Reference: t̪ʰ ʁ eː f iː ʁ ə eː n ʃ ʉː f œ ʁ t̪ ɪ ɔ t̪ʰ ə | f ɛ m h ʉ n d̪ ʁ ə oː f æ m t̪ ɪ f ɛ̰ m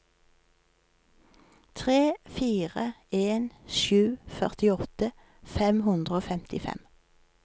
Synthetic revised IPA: t̪ʰ ʁ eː f iː ʁ ə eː n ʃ ʉː f œ ʁ t̪ ɪ ɔ t̪ ə | f ɛ m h ʉ n d̪ ʁ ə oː f ɛ m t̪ ɪ f ɛ̰ m